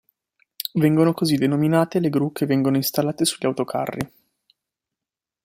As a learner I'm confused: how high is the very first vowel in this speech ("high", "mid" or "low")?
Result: mid